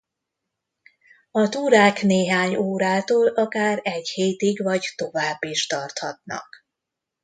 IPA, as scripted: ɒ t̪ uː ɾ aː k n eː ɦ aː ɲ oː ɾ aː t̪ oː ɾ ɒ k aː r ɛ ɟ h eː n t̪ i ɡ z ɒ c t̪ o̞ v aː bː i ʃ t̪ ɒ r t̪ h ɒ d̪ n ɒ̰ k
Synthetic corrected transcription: ɒ t̪ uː ɾ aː k n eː ɦ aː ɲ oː ɾ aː t̪ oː l ɒ k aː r ɛ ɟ h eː t̪ i ɡ v ɒ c t̪ o̞ v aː bː i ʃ t̪ ɒ r t̪ h ɒ t̪ n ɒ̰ k